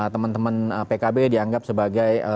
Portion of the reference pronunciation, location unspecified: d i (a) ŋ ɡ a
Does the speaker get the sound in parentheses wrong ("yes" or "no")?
no